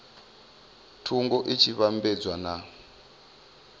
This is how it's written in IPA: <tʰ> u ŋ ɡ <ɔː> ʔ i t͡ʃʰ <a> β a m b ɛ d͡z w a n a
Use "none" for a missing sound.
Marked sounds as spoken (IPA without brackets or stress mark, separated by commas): tʰ, ɔ, i